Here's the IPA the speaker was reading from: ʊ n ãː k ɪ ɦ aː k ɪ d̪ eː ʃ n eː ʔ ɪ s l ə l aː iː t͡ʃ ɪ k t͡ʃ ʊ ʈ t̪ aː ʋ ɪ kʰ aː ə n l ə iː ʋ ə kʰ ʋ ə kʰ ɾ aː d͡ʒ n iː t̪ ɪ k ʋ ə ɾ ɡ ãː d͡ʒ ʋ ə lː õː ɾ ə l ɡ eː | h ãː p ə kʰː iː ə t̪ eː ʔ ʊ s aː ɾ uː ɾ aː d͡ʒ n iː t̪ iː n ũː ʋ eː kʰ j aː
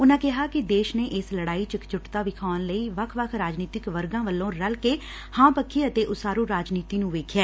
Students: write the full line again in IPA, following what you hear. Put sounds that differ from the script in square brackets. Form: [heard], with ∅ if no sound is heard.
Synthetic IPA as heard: ʊ n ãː k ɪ ɦ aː k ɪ d̪ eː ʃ n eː ʔ ɪ s l ə [ɽ] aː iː t͡ʃ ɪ k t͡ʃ ʊ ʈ t̪ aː ʋ ɪ kʰ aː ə n l ə iː ʋ ə kʰ ʋ ə kʰ ɾ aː d͡ʒ n iː t̪ ɪ k ʋ ə ɾ ɡ ãː [∅] ʋ ə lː õː ɾ ə l [k] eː | h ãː p ə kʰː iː ə t̪ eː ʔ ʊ s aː ɾ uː ɾ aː d͡ʒ n iː t̪ iː n ũː ʋ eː kʰ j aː